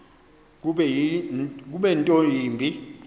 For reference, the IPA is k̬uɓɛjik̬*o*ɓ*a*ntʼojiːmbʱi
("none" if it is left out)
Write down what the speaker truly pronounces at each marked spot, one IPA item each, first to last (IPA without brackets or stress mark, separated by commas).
u, ɛ